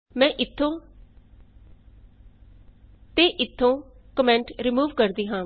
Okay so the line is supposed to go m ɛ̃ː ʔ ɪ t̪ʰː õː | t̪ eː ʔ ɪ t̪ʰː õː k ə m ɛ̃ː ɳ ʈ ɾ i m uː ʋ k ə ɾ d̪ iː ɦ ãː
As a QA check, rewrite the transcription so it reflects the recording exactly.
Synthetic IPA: m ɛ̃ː ʔ ɪ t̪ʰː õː | t̪ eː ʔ ɪ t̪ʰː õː k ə m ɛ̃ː ɳ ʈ ɾ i m uː ʋ k ə ɾ d̪ iː ɦ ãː